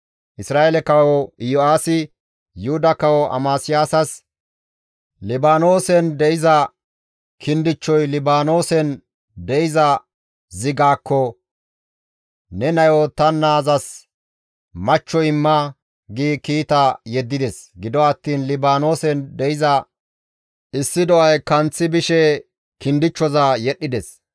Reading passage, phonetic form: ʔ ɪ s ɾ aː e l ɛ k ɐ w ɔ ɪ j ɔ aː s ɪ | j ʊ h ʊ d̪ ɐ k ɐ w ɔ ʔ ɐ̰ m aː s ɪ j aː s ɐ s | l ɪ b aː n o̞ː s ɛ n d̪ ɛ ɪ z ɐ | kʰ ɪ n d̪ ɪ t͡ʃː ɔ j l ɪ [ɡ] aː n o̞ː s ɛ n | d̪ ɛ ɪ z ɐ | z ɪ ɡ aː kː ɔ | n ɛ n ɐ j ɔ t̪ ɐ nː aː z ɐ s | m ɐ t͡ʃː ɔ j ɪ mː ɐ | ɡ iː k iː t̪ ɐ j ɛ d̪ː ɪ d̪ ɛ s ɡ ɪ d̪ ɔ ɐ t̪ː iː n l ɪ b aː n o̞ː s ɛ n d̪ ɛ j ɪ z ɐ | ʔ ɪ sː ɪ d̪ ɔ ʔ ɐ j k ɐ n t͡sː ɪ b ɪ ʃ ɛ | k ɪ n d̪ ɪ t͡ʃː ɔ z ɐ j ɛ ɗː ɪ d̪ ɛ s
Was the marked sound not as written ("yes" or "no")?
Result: yes